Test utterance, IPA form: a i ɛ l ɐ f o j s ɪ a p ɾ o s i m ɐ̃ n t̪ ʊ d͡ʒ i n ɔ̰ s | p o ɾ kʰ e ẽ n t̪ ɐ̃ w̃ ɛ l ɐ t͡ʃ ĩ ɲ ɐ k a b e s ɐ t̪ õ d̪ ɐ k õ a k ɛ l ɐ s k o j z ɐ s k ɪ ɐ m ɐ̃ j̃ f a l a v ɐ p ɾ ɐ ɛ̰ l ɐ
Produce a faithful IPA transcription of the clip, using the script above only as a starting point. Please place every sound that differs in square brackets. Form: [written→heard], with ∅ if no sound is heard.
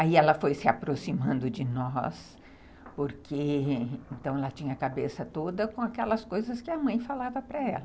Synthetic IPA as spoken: a i ɛ l ɐ f o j s ɪ a p ɾ o s i m ɐ̃ n [t̪→d̪] ʊ d͡ʒ [i→ɪ] n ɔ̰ s | p o ɾ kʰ e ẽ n t̪ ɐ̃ w̃ ɛ l ɐ t͡ʃ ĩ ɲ ɐ k a b e s ɐ t̪ [õ→o] d̪ ɐ k õ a k ɛ l ɐ s k o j z ɐ s k ɪ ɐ m ɐ̃ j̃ f a l a v ɐ p ɾ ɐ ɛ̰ l ɐ